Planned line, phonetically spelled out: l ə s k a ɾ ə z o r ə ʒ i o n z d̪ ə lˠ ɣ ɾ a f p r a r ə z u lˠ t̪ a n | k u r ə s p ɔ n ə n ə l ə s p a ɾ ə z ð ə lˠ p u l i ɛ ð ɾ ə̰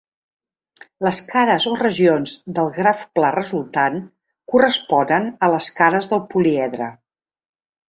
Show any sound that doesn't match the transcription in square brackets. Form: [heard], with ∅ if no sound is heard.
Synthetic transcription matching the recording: l ə s k a ɾ ə z o r ə ʒ i o n z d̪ ə lˠ ɣ ɾ a f p [l] a r ə z u lˠ t̪ a n | k u r ə s p ɔ n ə n ə l ə s [k] a ɾ ə z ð ə lˠ p u l i ɛ ð ɾ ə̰

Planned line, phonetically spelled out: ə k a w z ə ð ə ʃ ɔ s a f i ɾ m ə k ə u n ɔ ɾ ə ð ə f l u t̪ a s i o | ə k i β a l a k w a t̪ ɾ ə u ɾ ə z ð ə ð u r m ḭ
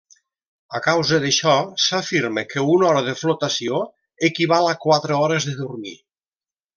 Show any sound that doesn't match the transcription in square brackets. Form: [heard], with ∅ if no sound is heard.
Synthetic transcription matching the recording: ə k a w z ə ð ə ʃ ɔ s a f i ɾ m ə k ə u n ɔ ɾ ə ð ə f l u t̪ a s i o | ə k i β a l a k w a t̪ ɾ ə [ɔ] ɾ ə z ð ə ð u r m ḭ

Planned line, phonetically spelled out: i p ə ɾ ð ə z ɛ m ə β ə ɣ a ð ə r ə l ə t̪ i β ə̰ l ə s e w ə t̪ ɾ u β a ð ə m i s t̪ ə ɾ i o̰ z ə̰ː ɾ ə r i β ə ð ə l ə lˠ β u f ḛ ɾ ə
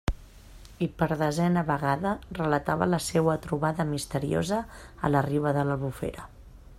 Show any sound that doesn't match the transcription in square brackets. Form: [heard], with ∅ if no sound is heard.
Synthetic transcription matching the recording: i p ə ɾ ð ə z ɛ [n] ə β ə ɣ a ð ə r ə l ə t̪ [a] β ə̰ l ə s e w ə t̪ ɾ u β a ð ə m i s t̪ ə ɾ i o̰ z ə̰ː [l] ə r i β ə ð ə l ə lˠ β u f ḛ ɾ ə

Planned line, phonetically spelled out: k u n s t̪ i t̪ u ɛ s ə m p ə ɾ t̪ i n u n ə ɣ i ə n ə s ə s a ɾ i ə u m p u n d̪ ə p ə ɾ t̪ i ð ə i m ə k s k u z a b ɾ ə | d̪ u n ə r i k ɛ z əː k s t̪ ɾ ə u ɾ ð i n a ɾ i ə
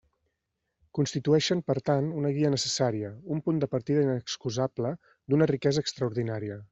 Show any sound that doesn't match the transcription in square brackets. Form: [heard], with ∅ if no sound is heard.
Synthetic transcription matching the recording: k u n s t̪ i t̪ u ɛ [ʃ] ə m p ə ɾ t̪ [a] n u n ə ɣ i ə n ə s ə s a ɾ i ə u m p u n d̪ ə p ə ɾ t̪ i ð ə i [n] ə k s k u z a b [l] ə | d̪ u n ə r i k ɛ z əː k s t̪ ɾ ə u ɾ ð i n a ɾ i ə

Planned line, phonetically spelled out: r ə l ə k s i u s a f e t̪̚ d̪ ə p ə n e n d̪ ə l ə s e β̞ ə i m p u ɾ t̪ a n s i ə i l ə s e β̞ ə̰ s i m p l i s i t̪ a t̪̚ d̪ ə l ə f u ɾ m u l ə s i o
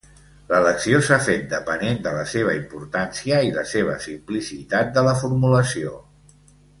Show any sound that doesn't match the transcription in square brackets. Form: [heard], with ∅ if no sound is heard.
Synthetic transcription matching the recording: [l] ə l ə k s i [o] s a f e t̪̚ d̪ ə p ə n e n d̪ ə l ə s e β̞ ə i m p u ɾ t̪ a n s i ə i l ə s e β̞ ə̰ s i m p l i s i t̪ a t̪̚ d̪ ə l ə f u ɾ m u l ə s i o

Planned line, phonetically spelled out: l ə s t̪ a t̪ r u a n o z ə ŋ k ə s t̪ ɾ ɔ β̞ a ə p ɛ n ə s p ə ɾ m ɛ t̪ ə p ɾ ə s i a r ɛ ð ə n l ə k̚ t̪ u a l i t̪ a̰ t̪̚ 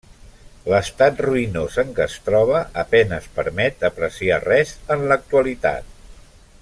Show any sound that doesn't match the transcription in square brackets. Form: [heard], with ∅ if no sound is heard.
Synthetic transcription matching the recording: l ə s t̪ a t̪ r u [i] n o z ə ŋ k ə s t̪ ɾ ɔ β̞ [ə] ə p ɛ n ə s p ə ɾ m ɛ t̪ ə p ɾ ə s i a r ɛ [z] ə n l ə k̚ t̪ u [ə] l i t̪ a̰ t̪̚

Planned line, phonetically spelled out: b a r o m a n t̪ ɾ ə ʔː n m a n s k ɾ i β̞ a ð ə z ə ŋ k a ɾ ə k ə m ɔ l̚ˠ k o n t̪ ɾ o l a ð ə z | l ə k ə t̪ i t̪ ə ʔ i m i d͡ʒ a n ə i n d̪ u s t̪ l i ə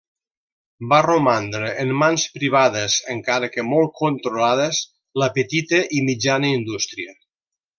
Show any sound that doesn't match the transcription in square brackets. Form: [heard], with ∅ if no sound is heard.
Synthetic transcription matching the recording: b a r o m a n [d̪] ɾ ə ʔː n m a n s [p] ɾ i β̞ a ð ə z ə ŋ k a ɾ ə k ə m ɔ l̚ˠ k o n t̪ ɾ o l a ð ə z | l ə [p] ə t̪ i t̪ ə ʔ i m i d͡ʒ a n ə i n d̪ u s t̪ [ɾ] i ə

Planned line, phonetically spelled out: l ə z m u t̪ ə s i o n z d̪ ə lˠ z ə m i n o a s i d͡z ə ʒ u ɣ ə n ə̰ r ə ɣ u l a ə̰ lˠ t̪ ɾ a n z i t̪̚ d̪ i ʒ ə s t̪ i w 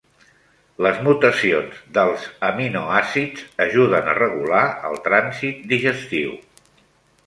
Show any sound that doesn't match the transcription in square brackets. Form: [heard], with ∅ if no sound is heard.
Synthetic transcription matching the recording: l ə z m u t̪ ə s i o n z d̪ ə lˠ z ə m i n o a s i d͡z ə ʒ u [ð] ə n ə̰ r ə ɣ u l a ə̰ lˠ t̪ ɾ a n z i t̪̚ d̪ i ʒ ə s t̪ i w

